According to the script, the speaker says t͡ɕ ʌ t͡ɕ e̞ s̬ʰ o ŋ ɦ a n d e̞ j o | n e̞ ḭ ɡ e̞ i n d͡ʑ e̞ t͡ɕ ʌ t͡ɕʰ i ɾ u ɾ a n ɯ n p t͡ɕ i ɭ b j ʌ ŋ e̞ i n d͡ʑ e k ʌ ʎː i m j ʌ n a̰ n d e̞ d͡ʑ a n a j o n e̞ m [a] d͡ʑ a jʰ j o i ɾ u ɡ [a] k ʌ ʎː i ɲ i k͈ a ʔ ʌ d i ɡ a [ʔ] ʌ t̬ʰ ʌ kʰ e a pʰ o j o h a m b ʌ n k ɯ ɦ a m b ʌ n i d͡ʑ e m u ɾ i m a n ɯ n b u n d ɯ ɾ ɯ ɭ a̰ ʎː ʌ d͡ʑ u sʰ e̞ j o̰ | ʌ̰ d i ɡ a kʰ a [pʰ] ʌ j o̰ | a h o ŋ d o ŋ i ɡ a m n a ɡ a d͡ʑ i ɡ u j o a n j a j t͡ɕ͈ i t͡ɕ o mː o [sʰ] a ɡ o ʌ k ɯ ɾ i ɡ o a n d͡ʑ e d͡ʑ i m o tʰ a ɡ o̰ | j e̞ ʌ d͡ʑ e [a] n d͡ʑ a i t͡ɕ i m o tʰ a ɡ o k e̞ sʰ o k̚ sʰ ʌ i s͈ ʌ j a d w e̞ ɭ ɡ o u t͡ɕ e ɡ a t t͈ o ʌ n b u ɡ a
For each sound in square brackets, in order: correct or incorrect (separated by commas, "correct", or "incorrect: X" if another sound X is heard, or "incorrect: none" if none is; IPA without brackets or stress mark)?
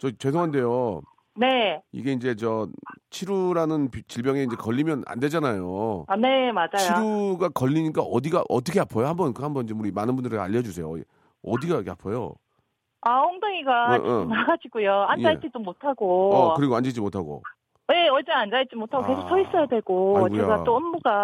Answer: correct, correct, correct, correct, incorrect: tʰ, correct